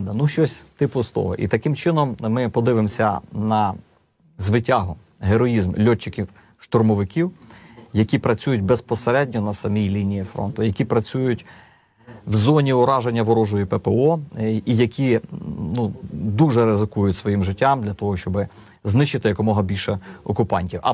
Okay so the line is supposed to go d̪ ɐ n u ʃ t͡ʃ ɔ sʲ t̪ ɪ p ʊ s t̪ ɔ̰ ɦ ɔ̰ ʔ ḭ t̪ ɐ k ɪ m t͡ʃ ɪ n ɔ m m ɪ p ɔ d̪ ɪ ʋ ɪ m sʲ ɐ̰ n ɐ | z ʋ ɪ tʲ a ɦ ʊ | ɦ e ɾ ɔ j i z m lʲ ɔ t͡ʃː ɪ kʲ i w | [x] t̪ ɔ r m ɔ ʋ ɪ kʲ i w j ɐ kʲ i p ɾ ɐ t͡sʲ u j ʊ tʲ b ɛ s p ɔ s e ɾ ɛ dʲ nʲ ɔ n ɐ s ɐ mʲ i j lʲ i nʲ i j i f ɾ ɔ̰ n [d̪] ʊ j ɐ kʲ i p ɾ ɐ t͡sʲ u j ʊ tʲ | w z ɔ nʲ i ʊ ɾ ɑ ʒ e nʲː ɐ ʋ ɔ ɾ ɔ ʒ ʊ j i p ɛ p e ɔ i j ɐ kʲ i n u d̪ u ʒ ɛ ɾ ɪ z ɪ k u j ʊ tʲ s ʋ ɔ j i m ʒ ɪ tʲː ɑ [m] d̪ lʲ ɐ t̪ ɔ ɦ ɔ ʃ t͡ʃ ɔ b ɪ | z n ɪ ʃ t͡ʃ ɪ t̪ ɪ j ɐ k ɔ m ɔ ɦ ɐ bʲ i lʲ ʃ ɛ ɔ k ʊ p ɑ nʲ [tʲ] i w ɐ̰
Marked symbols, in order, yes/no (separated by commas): no, no, yes, yes